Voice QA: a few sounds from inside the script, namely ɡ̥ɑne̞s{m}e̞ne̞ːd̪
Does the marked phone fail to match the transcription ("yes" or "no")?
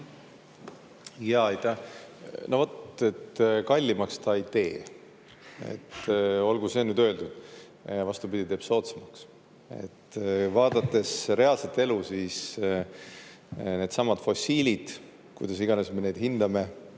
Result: no